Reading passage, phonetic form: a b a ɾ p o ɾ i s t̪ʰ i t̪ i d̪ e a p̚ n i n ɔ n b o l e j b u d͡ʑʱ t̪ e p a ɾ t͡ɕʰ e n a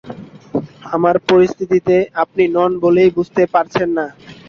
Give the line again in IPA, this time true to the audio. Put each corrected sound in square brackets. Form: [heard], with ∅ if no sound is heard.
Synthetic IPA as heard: a [m] a ɾ p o ɾ i s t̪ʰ i t̪ i [t̪] e a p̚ n i n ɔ n b o l e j b u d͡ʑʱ t̪ e p a ɾ t͡ɕʰ e [nː] a